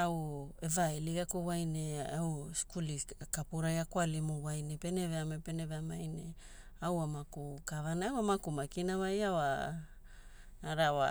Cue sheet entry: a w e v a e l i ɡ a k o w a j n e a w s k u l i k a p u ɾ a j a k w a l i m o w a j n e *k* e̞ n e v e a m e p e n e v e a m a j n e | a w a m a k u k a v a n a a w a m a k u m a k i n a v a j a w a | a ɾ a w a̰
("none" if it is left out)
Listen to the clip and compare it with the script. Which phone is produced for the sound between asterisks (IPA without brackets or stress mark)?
p